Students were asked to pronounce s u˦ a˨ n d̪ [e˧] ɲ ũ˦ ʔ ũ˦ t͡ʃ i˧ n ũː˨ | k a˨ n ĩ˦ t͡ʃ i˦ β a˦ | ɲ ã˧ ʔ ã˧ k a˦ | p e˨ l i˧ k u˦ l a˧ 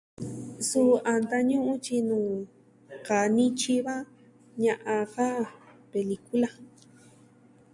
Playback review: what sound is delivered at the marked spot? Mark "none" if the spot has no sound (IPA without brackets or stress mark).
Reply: a˧